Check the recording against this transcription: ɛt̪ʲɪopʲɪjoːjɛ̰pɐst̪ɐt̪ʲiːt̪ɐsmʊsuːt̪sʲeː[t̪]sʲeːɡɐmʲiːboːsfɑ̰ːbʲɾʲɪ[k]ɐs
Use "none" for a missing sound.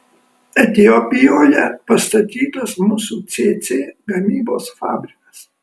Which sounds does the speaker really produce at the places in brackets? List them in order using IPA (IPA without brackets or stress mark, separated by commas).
t̪, k